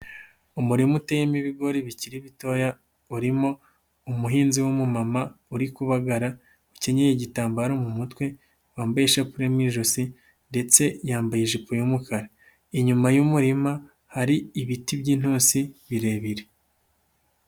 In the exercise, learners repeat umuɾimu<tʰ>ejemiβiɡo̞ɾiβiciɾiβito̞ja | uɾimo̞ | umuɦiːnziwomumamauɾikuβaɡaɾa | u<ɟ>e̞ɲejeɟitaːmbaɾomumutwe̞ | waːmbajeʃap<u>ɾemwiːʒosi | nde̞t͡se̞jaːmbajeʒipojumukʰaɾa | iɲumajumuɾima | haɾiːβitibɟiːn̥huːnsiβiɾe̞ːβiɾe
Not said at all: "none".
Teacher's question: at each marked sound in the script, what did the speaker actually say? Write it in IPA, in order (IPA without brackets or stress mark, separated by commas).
t, c, u